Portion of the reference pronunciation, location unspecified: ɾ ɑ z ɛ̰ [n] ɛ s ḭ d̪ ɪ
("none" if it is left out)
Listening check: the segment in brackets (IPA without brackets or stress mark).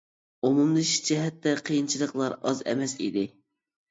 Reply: m